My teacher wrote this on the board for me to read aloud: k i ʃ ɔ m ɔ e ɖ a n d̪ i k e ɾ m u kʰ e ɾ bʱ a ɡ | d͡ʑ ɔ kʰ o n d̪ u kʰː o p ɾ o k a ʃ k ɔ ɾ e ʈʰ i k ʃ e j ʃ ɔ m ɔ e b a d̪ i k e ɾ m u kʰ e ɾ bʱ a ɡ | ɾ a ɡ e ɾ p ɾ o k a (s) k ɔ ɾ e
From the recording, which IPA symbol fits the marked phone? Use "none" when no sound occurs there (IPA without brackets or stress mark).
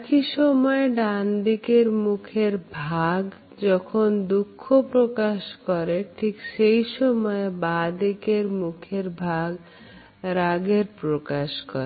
ʃ